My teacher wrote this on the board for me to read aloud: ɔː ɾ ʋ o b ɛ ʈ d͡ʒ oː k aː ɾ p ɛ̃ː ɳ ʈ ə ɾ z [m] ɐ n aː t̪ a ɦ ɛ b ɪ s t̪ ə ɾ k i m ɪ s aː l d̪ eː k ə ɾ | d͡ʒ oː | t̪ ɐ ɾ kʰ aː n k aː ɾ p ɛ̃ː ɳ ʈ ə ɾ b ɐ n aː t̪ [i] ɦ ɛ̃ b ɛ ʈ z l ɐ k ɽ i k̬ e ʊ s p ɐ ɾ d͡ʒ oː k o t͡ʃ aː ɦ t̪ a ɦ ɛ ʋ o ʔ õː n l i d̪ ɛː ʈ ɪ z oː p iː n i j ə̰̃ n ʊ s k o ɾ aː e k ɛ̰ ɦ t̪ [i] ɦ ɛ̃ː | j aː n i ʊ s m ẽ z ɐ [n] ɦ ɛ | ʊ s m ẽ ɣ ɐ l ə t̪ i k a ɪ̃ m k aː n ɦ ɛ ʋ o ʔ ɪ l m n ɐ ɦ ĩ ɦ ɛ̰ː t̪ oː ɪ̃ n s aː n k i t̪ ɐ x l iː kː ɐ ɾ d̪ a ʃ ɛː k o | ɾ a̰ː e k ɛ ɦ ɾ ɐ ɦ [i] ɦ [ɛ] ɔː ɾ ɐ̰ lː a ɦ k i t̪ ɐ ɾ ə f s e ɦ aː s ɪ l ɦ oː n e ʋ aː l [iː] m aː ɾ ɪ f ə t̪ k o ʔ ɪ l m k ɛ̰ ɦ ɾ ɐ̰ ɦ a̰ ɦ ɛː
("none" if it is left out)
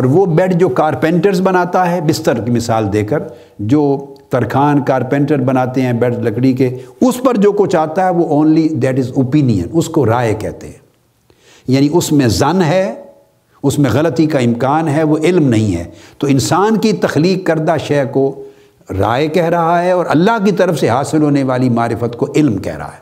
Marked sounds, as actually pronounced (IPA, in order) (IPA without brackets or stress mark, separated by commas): b, e, e, n, a, ɛ, i